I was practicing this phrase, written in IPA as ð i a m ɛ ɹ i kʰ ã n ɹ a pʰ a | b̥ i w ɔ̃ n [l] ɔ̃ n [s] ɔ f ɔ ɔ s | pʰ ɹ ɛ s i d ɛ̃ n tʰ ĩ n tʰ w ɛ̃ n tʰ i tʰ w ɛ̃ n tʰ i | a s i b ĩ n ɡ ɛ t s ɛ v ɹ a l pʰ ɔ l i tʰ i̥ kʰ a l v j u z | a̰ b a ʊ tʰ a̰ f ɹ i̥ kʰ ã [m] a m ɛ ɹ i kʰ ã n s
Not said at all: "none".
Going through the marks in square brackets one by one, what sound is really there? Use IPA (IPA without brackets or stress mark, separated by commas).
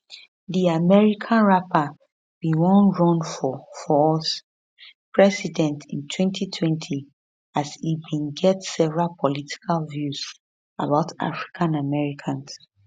ɹ, f, n